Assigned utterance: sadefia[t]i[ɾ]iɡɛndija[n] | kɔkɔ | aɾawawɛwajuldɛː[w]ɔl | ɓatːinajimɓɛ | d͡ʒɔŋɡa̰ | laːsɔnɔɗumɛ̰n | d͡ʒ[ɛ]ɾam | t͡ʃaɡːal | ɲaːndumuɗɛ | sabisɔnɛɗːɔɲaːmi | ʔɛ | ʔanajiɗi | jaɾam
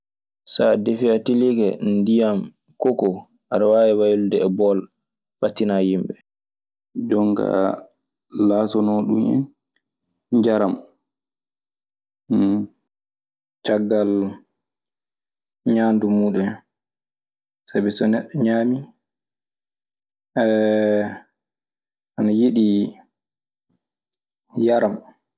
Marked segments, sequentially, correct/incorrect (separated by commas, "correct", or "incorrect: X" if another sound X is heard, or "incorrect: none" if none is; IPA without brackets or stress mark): correct, incorrect: l, incorrect: m, incorrect: b, incorrect: a